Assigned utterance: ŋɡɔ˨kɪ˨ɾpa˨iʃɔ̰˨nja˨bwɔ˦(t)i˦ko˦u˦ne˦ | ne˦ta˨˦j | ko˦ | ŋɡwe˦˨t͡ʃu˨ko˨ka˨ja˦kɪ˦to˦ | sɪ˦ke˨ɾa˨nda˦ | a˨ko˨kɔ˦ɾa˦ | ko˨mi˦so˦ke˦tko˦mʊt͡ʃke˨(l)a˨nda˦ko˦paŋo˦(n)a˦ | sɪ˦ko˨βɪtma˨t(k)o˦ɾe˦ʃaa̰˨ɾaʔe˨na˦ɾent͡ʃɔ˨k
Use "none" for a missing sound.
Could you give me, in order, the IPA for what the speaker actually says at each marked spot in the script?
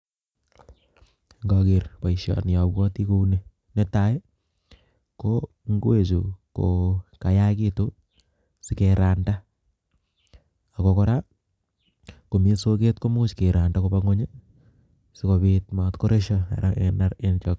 t, ɾ, ɲ, k

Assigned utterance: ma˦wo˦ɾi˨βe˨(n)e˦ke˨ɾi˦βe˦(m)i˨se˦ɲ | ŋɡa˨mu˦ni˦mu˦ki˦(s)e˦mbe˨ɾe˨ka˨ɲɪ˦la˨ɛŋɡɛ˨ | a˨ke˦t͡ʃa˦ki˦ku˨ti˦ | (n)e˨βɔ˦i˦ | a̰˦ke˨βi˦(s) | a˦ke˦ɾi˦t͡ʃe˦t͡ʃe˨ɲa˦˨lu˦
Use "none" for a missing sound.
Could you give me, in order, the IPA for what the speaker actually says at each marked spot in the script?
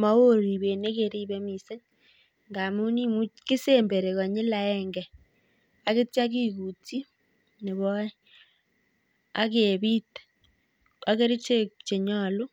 n, m, s, n, t

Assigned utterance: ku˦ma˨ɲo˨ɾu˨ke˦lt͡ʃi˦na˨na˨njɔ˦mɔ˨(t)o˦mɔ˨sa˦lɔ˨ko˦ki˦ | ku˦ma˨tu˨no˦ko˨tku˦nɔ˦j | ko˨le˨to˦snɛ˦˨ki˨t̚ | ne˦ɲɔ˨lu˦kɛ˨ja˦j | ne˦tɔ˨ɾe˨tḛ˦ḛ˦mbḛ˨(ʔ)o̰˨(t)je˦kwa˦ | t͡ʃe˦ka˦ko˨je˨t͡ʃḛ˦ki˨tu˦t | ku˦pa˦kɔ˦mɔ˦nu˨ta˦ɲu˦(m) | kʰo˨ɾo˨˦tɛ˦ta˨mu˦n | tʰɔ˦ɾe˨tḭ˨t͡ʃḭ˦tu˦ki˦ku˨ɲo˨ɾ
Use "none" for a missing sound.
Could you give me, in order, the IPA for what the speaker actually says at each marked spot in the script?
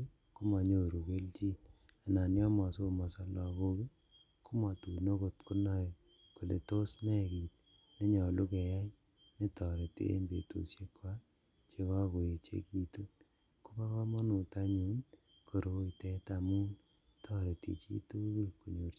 s, t, s, n

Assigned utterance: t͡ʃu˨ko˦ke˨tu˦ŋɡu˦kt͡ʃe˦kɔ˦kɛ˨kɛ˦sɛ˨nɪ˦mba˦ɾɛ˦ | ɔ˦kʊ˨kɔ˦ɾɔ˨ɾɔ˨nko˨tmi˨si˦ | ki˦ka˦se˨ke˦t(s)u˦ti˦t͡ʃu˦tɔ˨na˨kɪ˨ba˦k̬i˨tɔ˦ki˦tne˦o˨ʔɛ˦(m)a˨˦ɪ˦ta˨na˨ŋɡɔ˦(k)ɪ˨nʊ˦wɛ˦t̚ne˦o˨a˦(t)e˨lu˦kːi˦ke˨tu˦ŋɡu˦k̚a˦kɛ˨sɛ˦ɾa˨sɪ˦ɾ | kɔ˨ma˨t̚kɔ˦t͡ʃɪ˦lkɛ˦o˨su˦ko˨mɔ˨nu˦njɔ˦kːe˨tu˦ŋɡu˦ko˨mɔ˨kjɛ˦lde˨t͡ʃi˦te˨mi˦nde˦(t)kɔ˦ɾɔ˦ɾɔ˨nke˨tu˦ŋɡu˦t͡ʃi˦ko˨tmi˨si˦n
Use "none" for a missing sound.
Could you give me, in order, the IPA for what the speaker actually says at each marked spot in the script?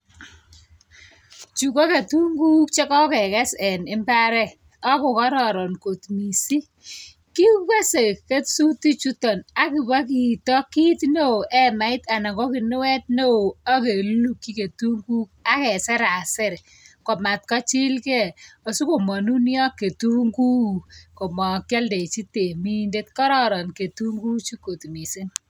s, m, k, k, t

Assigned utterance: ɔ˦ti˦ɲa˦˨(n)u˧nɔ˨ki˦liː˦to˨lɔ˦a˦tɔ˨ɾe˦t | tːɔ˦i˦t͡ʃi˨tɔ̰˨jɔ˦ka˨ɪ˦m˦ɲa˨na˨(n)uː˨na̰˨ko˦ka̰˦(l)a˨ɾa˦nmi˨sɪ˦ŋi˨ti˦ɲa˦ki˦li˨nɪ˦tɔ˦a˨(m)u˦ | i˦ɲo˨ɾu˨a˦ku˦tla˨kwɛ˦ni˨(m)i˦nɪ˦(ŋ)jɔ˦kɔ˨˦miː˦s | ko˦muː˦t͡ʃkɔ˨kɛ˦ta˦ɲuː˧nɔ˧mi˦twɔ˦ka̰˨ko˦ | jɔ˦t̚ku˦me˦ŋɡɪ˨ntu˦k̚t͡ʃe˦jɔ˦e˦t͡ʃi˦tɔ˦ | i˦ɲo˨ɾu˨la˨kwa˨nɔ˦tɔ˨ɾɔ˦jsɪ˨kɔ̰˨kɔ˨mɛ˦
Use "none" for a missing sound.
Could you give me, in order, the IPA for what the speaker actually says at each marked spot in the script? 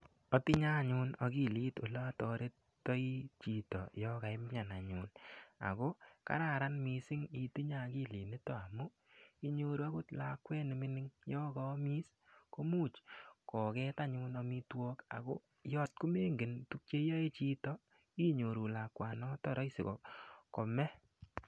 ɲ, ɲ, ɾ, m, m, ŋ

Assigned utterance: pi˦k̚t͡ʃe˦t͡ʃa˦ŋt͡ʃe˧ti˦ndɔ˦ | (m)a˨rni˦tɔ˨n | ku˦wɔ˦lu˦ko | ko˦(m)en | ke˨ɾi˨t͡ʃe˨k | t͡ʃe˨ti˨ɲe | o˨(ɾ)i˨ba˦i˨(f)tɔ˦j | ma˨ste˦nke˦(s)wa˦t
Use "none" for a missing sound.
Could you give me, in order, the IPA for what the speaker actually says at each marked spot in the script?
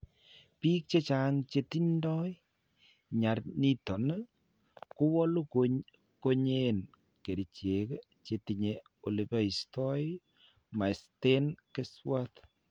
ɲ, ɲ, l, s, s

